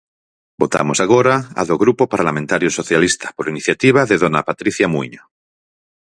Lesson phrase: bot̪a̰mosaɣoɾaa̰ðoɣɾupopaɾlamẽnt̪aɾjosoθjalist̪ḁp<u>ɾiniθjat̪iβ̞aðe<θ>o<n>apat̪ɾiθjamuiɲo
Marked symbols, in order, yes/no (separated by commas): no, no, yes